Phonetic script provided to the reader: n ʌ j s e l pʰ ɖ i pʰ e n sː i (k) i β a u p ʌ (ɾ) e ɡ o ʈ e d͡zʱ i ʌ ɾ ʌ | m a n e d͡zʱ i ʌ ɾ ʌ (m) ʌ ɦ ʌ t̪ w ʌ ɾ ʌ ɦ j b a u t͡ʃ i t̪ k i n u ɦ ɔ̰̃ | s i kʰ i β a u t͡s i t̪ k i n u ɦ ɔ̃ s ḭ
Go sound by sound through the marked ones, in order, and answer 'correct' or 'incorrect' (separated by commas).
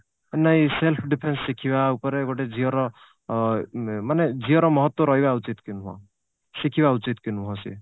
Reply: incorrect, correct, correct